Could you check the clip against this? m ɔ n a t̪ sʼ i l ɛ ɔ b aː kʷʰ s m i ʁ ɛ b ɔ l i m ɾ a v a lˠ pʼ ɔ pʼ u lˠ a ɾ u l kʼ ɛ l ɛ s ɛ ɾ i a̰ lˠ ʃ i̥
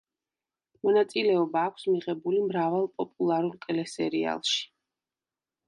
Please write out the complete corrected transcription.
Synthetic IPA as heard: m ɔ n a t̪ sʼ i l ɛ ɔ b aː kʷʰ s m i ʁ ɛ b u l i m ɾ a v a lˠ pʼ ɔ pʼ u lˠ a ɾ u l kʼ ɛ l ɛ s ɛ ɾ i a̰ lˠ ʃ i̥